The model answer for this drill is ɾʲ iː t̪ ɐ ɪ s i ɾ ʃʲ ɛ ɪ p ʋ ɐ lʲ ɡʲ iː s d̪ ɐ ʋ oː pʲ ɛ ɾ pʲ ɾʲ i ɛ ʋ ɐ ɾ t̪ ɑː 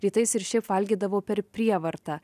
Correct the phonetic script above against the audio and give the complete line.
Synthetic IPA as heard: ɾʲ iː t̪ ɐ ɪ s ɪ ɾ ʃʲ ɛ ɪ p ʋ ɐ lʲ ɡʲ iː d̪ ɐ ʋ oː pʲ ɛ ɾ pʲ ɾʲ i ɛ ʋ ɐ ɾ t̪ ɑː

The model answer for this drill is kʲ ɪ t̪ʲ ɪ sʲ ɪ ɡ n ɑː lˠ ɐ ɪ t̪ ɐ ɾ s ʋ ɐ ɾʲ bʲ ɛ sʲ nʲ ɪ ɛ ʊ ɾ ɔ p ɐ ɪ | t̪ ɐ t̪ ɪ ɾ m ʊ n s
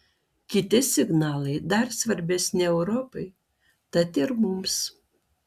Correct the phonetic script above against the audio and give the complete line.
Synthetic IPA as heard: kʲ ɪ t̪ʲ ɪ sʲ ɪ ɡ n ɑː lˠ ɐ ɪ d̪ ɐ ɾ s ʋ ɐ ɾʲ bʲ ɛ sʲ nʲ ɪ ɛ ʊ ɾ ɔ p ɐ ɪ | t̪ ɐ t̪ ɪ ɾ m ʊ m s

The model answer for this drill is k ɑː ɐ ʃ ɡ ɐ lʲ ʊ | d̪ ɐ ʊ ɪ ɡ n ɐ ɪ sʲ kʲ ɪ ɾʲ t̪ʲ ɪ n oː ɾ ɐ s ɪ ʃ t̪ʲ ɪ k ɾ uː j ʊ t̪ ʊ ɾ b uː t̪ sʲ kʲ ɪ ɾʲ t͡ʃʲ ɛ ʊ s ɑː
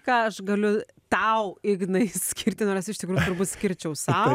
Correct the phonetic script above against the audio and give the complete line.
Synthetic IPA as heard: k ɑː ɐ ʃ ɡ ɐ lʲ ʊ | t̪ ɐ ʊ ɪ ɡ n ɐ ɪ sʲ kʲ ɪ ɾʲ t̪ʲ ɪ n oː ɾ ɐ s ɪ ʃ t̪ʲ ɪ k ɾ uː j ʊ t̪ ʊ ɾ b uː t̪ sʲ kʲ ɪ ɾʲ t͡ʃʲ ɛ ʊ s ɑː

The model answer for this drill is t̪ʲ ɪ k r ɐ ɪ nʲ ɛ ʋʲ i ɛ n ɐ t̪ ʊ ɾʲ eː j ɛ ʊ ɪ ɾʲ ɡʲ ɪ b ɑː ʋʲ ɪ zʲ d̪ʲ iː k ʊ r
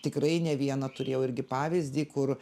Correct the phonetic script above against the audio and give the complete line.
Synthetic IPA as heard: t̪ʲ ɪ k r ɐ ɪ nʲ ɛ ʋʲ i ɛ n ɐ t̪ ʊ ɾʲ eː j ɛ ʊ ɪ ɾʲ ɡʲ ɪ p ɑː ʋʲ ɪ zʲ d̪ʲ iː k ʊ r

